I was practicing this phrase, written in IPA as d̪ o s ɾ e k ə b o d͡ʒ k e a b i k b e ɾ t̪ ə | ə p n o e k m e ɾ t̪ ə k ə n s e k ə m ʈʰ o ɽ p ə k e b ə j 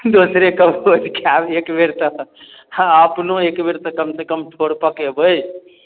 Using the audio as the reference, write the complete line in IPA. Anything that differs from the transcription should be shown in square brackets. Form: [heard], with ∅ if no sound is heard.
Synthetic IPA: d̪ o s ɾ e k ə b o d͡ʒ k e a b [e] k b e ɾ t̪ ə | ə p n o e k [b] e ɾ t̪ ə k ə [m] s e k ə m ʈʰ o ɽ p ə k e b ə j